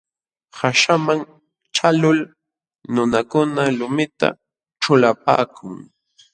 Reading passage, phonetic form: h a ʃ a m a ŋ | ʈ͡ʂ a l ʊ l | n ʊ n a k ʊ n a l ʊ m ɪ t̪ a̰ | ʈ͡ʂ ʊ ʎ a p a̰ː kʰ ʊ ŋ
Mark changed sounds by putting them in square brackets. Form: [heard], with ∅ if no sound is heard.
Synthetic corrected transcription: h a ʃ a m a ŋ | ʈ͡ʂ a l ʊ l | n ʊ n a k ʊ n a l ʊ m ɪ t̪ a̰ | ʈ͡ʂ ʊ [l] a p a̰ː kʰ ʊ ŋ